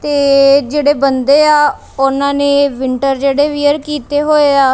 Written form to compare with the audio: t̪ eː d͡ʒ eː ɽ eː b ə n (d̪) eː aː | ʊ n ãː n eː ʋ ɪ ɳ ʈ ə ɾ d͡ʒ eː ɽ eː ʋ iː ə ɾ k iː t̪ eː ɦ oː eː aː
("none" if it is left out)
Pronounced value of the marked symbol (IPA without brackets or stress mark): d̪